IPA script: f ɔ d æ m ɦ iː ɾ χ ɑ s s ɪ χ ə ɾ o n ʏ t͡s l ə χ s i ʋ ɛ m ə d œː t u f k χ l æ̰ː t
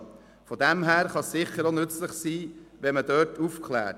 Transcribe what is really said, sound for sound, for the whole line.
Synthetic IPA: f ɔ d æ m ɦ æː ɾ χ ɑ s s ɪ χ ə ɾ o n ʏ t͡s l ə χ s iː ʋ ɛ m ə d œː t u f k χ l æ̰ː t

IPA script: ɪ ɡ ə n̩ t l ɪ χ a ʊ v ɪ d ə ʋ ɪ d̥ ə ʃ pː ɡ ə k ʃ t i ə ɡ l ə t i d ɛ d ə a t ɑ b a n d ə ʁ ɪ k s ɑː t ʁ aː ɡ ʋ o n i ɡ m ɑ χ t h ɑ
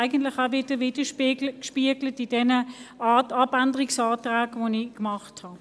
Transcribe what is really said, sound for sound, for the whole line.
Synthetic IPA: ɪ ɡ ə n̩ t l ɪ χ a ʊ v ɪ d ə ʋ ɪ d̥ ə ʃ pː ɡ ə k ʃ p i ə ɡ l ə t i d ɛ n ə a t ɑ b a n d ə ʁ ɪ k s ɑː t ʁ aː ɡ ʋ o n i k m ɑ χ t h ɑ

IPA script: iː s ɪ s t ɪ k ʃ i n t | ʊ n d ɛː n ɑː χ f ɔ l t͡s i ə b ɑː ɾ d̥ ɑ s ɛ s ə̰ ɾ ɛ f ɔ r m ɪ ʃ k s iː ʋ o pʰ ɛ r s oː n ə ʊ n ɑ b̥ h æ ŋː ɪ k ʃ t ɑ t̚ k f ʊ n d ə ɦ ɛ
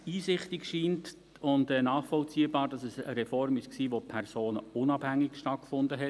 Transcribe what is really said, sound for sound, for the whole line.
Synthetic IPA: iː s ɪ χ t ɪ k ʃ iː n t | ʊ n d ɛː n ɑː χ f ɔ l t͡s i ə b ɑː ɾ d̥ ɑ s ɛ s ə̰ ɾ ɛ f ɔ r m ɪ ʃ k s iː ʋ o pʰ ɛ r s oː n ə ʊ n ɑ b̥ h æ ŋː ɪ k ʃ t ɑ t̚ k f ʊ n d ə ɦ ɛ

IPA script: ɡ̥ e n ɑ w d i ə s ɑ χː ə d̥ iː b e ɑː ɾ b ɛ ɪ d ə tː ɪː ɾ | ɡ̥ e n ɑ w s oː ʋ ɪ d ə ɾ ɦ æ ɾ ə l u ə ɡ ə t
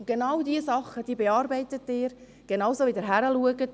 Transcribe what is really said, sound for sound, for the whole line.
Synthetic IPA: ɡ̥ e n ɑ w d i ə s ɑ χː ə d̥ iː b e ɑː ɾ b ɛ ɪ t ə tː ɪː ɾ | ɡ̥ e n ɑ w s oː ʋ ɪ d ə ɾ ɦ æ ɾ ə l u ə ɡ ə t

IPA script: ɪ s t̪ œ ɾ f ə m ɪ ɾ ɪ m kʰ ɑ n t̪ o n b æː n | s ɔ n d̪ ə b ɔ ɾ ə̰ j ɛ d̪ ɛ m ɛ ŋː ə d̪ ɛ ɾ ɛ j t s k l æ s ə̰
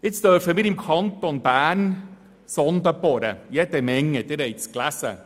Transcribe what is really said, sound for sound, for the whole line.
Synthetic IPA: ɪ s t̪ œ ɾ f ə m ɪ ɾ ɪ m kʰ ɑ n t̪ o n b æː n | s ɔ n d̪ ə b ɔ ɾ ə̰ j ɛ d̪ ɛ m ɛ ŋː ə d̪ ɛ ɾ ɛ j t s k l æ s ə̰

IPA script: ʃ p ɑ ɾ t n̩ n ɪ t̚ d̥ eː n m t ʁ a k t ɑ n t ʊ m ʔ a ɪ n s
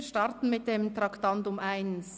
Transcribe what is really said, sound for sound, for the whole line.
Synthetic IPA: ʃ t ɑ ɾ t n̩ m ɪ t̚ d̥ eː m t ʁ ɑ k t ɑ n t ʊ m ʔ a ɪ n s

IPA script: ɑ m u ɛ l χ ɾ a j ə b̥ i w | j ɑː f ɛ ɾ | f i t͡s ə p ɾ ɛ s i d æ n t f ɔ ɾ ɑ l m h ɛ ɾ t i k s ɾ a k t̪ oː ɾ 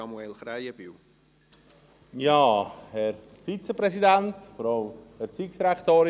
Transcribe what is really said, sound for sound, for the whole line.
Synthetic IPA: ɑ m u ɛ l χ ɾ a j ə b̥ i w | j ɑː h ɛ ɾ | f i t͡s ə p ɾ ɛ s i d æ n t f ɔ ɾ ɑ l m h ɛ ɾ t͡s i k s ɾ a k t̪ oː ɾ

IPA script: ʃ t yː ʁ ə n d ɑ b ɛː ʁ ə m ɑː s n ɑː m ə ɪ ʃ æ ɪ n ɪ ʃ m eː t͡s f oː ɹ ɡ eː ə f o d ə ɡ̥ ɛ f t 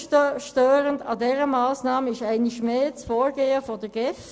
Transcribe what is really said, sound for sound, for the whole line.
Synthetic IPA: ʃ t øː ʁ ə n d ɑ d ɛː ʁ ə m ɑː s n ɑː m ə ɪ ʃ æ ɪ n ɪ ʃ m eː t͡s f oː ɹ ɡ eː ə f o d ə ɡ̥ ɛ f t

